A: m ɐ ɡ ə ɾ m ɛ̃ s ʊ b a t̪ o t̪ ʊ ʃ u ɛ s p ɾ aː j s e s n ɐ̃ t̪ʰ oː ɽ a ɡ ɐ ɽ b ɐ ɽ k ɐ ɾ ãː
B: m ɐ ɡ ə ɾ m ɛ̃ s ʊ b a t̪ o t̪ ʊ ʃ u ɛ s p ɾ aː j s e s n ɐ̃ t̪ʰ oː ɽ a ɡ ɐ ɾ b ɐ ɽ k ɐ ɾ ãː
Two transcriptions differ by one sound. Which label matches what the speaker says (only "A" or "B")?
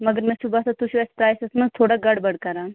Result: A